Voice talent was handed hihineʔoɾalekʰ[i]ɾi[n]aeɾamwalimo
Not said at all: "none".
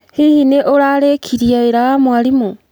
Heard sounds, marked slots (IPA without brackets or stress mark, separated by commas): i, none